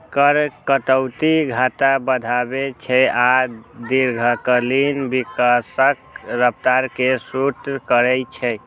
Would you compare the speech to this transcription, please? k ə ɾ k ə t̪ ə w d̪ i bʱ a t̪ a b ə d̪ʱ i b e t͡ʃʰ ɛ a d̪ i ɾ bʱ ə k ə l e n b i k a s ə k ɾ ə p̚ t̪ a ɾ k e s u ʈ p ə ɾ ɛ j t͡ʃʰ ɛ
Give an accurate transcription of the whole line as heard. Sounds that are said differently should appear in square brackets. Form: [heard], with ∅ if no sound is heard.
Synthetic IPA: k ə ɾ k ə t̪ ə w [t̪] i [ɡʱ] a t̪ a b ə d̪ʱ [a] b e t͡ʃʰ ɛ a d̪ i ɾ [ɡʱ] ə k ə l [i] n b i k a s ə k ɾ ə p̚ t̪ a ɾ k e s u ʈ [k] ə ɾ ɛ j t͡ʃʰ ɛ